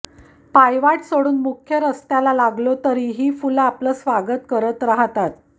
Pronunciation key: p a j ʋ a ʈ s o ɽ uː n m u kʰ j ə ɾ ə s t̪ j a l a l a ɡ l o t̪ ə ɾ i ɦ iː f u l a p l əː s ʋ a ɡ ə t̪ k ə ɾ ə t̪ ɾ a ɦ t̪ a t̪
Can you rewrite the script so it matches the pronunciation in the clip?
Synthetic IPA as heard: p a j ʋ a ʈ s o ɽ uː n m u kʰ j ə ɾ ə s t̪ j a l a l a ɡ l o t̪ ə ɾ i ɦ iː f u l a p l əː s ʋ a ɡ ə t̪ k ə ɾ ə t̪ ɾ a ɦ t̪ a t̪